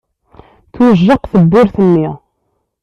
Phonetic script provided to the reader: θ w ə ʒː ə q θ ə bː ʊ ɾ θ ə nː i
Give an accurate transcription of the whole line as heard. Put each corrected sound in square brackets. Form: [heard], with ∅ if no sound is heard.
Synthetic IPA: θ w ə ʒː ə q θ ə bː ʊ ɾ θ ə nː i